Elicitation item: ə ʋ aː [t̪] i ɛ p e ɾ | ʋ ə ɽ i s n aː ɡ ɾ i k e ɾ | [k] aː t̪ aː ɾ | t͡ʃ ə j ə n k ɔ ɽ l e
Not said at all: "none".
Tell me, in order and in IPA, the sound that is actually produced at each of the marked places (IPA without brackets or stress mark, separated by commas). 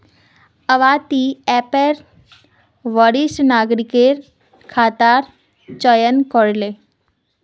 t̪, kʰ